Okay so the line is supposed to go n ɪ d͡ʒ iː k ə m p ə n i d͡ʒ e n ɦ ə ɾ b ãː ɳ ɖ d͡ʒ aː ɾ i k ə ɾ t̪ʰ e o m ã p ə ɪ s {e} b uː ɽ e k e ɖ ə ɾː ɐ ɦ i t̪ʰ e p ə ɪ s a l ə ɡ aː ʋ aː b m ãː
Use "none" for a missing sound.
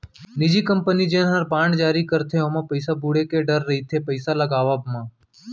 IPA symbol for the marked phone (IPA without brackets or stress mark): a